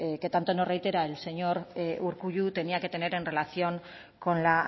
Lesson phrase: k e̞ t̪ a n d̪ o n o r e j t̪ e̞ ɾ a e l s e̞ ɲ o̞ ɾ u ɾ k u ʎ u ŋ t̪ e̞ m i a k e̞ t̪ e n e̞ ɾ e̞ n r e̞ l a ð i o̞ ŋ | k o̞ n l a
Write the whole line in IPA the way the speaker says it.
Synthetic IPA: k e̞ t̪ a n t̪ o n o r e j t̪ e̞ ɾ a e l s e̞ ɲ o̞ ɾ u ɾ k u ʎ u t̪ e̞ n i a k e̞ t̪ e n e̞ ɾ e̞ n r e̞ l a θ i o̞ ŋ | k o̞ n l a